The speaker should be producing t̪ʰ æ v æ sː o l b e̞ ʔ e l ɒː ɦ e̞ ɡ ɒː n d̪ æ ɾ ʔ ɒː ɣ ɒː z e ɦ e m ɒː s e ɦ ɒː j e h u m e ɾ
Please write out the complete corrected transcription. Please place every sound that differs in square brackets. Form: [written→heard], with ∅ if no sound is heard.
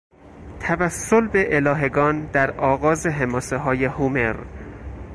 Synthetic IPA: t̪ʰ æ v æ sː o l b e̞ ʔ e l ɒː ɦ e̞ ɡ ɒː n d̪ æ ɾ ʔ ɒː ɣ ɒː z e ɦ e m ɒː s e ɦ ɒː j e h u m e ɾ